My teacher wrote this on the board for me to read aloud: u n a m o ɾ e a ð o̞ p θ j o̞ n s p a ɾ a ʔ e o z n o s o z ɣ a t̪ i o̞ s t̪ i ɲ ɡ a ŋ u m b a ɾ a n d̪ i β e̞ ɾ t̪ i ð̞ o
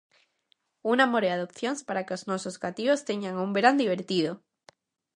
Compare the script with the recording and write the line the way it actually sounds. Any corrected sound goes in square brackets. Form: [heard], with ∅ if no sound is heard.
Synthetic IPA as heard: u n a m o ɾ e a ð o̞ p θ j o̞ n s p a ɾ a [k] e o z n o s o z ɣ a t̪ i o̞ s t̪ [e] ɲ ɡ a ŋ u m b [e] ɾ a n d̪ i β e̞ ɾ t̪ i ð̞ o